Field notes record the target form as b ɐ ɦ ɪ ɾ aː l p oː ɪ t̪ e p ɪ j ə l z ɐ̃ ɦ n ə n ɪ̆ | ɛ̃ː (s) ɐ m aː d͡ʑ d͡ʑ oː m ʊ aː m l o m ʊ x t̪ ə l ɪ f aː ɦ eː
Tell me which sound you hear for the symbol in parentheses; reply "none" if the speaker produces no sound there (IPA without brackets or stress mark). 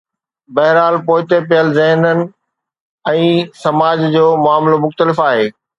s